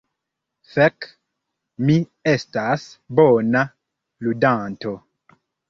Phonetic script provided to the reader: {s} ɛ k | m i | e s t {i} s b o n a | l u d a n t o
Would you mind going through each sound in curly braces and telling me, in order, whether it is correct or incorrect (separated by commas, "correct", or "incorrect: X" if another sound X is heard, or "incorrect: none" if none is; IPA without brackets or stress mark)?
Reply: incorrect: f, incorrect: a